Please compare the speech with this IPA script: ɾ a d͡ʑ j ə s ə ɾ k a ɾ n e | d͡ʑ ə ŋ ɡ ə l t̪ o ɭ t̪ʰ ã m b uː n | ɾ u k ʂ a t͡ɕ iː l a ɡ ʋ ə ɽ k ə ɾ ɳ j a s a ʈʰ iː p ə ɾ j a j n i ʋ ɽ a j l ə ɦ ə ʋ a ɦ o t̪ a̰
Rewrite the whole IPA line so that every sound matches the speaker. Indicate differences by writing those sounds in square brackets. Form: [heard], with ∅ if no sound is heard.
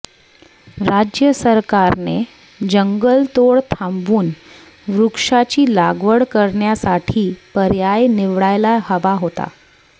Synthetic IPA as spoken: ɾ a d͡ʑ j ə s ə ɾ k a ɾ n e | d͡ʑ ə ŋ ɡ ə l t̪ o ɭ t̪ʰ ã m b uː n | ɾ u k ʂ a t͡ɕ iː l a ɡ ʋ ə ɽ k ə ɾ ɳ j a s a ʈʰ iː p ə ɾ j a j n i ʋ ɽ a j l [a] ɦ ə ʋ a ɦ o t̪ a̰